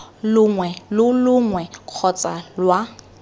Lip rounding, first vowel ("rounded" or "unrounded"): rounded